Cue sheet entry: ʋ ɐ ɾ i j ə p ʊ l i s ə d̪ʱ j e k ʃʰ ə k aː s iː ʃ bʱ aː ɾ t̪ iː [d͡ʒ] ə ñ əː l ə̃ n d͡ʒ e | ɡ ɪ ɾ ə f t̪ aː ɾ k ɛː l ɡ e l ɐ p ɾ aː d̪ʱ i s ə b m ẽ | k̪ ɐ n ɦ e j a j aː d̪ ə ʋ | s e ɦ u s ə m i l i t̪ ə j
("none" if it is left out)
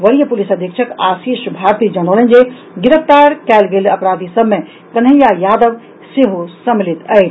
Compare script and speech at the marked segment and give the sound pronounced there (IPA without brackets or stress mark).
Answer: d͡ʒ